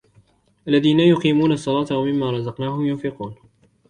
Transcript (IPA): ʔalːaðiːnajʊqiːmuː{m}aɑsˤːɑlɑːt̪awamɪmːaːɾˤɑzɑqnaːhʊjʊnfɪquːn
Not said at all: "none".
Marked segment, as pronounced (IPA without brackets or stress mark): n